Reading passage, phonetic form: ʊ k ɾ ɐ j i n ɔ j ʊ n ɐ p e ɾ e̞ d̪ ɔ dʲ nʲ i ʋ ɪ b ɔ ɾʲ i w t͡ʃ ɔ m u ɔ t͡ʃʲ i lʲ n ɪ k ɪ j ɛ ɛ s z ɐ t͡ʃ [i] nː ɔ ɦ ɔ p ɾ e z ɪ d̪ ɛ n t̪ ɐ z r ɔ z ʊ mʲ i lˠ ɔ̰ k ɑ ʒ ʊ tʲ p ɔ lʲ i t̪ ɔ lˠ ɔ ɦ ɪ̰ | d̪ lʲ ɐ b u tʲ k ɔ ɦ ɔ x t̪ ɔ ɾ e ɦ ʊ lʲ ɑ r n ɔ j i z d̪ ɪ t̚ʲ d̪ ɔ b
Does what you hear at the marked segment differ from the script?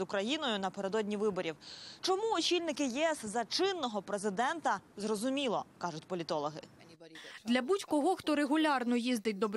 yes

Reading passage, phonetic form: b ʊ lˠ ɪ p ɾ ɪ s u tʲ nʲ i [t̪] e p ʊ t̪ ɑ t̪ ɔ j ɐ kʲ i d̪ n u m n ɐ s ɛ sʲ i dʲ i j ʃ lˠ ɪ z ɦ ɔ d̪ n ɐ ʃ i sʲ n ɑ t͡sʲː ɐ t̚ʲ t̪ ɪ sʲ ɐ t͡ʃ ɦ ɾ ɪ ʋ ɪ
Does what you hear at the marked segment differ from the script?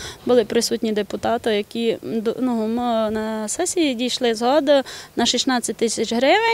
yes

